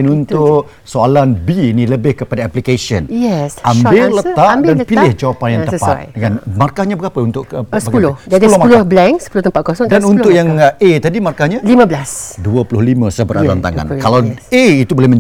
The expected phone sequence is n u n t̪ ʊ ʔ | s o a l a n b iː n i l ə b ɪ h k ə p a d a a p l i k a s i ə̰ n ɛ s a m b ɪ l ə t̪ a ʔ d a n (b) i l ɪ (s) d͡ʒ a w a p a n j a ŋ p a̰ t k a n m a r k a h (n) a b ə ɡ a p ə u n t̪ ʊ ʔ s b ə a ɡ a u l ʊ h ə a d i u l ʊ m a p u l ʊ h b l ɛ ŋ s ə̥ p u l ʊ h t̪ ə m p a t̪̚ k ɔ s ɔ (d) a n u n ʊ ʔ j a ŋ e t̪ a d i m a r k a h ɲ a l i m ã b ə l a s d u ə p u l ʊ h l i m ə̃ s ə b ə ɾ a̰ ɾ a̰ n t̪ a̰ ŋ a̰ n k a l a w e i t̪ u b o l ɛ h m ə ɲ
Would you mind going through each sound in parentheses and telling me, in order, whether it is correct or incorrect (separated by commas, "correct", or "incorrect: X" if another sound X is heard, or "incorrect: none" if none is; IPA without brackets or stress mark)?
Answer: incorrect: p, incorrect: h, incorrect: ɲ, correct